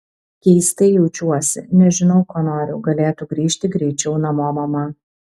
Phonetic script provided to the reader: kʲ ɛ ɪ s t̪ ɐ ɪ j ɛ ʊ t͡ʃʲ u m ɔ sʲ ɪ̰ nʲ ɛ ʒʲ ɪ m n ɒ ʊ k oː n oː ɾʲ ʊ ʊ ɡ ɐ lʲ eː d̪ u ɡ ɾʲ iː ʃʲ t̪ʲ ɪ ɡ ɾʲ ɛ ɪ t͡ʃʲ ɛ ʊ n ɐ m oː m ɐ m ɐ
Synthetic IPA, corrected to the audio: kʲ ɛ ɪ s t̪ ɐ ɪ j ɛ ʊ t͡ʃʲ u ɔ sʲ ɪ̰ nʲ ɛ ʒʲ ɪ n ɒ ʊ k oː n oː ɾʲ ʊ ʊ ɡ ɐ lʲ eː t̪ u ɡ ɾʲ iː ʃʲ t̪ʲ ɪ ɡ ɾʲ ɛ ɪ t͡ʃʲ ɛ ʊ n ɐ m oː m ɐ m ɐ